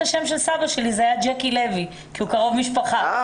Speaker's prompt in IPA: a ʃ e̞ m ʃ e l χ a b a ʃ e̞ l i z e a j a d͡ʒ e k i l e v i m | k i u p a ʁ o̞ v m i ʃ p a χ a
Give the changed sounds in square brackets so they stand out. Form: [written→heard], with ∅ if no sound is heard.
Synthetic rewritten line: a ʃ e̞ m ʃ e l [χ→s] a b a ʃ e̞ l i z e a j a d͡ʒ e k i l e v i [m→∅] | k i u [p→k] a ʁ o̞ v m i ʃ p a χ a